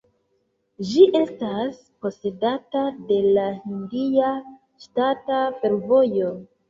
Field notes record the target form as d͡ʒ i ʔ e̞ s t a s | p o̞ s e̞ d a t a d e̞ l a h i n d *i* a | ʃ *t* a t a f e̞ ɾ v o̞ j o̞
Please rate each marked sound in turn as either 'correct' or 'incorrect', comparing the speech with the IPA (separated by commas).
correct, correct